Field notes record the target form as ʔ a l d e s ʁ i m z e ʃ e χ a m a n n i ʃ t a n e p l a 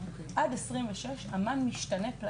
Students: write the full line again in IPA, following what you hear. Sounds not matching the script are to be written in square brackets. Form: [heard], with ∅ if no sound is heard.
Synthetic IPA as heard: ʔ a [∅] d e s ʁ i m [v] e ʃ e [ʃ] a m a n [m] i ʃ t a n e p l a

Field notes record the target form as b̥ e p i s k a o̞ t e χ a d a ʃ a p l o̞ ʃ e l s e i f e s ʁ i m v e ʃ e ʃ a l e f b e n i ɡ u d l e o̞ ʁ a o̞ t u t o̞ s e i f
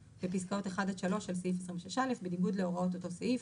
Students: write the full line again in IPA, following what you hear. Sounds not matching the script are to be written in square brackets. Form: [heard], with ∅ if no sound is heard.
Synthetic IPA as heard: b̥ e p i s k a o̞ t e χ a d a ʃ a [∅] l o̞ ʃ e l s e i f e s ʁ i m v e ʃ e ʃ a l e f b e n i ɡ u d l e o̞ ʁ a o̞ t [o] t o̞ s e i f

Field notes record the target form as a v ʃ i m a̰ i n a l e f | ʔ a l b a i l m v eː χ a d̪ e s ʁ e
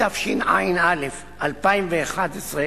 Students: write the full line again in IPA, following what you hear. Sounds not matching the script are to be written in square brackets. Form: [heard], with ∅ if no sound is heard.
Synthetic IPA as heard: a [f] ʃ i [n] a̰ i n a l e f | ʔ a l [p] a i [∅] m v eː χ a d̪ e s ʁ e

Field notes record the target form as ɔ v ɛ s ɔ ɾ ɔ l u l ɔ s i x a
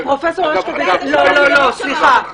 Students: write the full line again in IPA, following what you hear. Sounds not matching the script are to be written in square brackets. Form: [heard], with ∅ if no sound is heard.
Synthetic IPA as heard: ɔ [f] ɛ s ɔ [l] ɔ l [ɔ] l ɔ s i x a

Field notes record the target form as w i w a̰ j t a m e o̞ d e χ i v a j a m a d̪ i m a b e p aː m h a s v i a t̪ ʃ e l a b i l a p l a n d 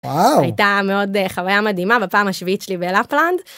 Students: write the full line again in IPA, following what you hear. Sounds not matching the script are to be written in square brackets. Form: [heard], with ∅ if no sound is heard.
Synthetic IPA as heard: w [a] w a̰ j t a m e o̞ d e χ [a] v a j a m a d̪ i m a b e p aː m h a [ʃ] v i [i] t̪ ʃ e l [i] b [e] l a p l a n d

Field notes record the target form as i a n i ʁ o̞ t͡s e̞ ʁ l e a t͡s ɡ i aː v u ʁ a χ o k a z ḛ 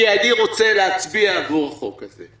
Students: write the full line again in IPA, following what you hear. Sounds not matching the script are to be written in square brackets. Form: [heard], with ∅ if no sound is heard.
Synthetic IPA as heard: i a n i ʁ o̞ t͡s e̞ [∅] l e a t͡s [b] i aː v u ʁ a χ o k a z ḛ

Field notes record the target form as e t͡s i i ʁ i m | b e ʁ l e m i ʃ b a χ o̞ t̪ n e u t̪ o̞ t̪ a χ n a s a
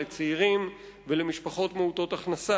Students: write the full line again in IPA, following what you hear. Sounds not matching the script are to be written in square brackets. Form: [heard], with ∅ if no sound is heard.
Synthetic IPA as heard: e t͡s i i ʁ i m | [v] e [∅] l e m i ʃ [p] a χ o̞ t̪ [m] e u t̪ o̞ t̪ a χ n a s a

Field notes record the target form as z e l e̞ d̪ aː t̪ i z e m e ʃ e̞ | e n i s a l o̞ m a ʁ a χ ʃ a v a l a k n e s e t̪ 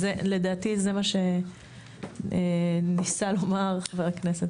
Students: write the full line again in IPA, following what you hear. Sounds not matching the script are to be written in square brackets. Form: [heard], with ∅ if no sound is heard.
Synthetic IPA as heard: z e l e̞ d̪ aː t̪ i z e m [a] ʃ e̞ | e n i s a l o̞ m a ʁ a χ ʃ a v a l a k n e s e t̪

